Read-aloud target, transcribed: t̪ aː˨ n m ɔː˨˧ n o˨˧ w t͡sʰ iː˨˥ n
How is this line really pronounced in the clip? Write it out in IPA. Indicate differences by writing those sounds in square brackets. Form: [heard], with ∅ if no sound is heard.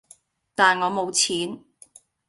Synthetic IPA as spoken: t̪ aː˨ n [ŋ] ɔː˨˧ [m] o˨˧ w t͡sʰ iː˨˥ n